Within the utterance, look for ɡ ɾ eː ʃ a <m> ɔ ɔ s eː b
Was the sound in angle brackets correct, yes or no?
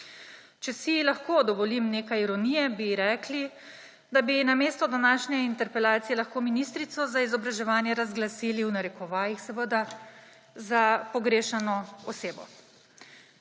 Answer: no